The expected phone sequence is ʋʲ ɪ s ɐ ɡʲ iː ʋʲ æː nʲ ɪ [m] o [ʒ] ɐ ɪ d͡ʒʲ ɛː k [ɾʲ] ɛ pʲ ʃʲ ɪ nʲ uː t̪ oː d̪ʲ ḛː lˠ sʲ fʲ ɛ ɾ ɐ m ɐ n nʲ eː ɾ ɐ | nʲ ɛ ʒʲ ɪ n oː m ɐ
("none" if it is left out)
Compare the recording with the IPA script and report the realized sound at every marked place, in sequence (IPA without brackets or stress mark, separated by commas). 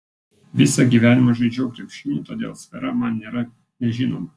m, ʒ, ɾʲ